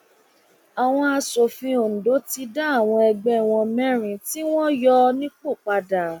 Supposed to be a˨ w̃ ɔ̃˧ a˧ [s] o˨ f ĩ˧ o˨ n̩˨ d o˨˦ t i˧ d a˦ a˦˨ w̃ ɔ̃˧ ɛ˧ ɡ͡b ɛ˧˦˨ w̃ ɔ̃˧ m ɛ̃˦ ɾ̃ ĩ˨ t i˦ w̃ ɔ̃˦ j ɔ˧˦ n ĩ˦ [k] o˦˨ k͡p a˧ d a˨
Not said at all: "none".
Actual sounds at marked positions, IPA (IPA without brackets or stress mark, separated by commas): s, k͡p